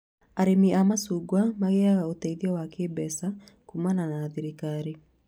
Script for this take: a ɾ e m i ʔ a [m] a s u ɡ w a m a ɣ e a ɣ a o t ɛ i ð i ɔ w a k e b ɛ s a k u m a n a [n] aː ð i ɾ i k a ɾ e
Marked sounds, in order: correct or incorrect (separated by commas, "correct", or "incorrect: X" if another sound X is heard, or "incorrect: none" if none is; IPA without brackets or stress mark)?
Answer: correct, correct